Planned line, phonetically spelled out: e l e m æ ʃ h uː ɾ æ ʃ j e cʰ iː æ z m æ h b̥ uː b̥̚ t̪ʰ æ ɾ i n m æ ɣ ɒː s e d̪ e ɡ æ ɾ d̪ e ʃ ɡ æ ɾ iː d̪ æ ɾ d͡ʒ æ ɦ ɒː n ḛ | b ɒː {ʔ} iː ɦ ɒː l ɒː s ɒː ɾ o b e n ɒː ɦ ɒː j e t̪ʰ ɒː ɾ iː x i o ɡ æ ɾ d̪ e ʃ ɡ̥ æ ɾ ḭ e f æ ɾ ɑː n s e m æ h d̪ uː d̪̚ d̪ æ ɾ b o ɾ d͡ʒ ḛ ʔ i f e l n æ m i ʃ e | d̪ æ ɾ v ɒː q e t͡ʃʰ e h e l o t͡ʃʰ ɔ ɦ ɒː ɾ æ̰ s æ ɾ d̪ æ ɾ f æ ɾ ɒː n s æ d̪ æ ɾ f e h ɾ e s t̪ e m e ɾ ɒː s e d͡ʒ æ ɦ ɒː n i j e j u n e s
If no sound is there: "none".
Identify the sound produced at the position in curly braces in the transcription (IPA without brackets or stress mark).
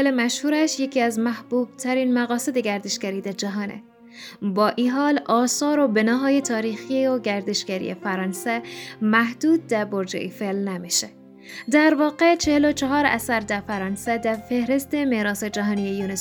ʔ